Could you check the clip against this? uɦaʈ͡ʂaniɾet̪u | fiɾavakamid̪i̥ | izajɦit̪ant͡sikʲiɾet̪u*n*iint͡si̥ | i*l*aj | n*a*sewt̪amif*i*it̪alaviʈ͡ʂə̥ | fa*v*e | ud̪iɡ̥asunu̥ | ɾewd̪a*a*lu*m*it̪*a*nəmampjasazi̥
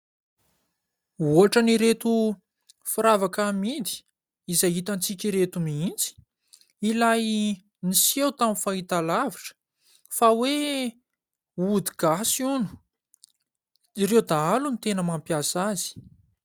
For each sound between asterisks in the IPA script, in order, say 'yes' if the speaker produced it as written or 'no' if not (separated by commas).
no, yes, no, no, no, yes, no, no